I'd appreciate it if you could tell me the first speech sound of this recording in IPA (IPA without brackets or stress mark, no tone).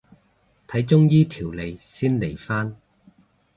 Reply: t̪ʰ